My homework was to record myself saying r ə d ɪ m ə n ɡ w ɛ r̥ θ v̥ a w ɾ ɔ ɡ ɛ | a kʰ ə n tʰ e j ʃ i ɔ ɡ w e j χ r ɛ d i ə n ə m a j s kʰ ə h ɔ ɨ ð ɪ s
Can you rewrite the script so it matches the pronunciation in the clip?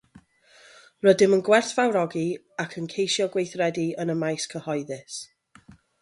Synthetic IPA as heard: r ə d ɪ m ə n ɡ w ɛ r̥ θ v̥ a w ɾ ɔ ɡ i | a kʰ ə n kʰ e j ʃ j ɔ ɡ w e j θ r ɛ d i ə n ə m a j s kʰ ə h ɔ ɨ ð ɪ s